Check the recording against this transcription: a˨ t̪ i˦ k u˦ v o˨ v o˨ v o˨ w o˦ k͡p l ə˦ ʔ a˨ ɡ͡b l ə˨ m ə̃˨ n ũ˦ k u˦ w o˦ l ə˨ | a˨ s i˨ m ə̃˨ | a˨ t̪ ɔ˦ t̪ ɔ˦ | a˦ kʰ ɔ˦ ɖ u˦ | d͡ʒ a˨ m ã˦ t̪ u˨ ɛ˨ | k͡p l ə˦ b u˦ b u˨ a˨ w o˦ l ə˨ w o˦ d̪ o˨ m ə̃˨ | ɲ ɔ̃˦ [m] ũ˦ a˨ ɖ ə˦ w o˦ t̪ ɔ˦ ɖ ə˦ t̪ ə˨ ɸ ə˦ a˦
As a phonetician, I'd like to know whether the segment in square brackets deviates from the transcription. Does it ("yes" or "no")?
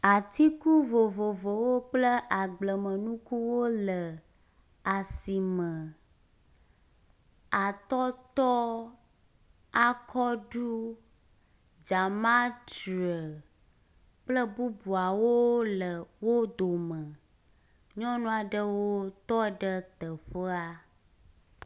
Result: yes